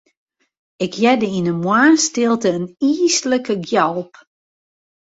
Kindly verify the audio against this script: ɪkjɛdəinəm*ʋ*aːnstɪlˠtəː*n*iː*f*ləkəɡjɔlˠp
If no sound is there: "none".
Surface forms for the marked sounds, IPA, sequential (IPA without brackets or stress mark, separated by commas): w, n, s